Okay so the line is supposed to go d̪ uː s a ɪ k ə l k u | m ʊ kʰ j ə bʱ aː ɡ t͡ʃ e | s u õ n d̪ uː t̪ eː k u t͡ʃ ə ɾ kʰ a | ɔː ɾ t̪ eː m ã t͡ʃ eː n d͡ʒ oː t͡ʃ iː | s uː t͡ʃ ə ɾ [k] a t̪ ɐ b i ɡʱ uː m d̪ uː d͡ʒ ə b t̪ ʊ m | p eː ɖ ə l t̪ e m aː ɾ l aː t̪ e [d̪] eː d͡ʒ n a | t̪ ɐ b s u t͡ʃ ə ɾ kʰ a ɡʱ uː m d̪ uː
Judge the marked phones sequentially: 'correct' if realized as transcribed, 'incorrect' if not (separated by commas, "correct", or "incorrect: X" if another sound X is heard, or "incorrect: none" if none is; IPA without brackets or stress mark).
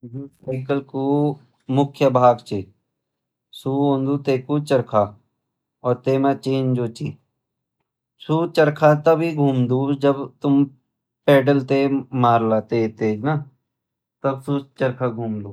incorrect: kʰ, incorrect: t̪